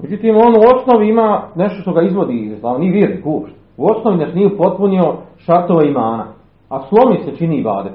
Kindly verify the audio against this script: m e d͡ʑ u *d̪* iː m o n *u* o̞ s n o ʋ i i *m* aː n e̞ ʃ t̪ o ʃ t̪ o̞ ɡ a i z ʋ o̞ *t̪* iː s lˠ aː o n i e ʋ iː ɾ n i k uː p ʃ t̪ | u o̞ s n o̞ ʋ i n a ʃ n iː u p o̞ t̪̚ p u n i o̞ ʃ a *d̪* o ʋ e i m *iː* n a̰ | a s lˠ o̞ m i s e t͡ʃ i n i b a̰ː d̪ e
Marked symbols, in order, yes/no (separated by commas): no, yes, yes, no, no, no